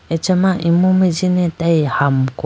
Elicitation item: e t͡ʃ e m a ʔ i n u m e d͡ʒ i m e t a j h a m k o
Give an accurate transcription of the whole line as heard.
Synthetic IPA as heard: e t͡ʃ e m a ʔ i m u m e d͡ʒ i n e t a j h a m k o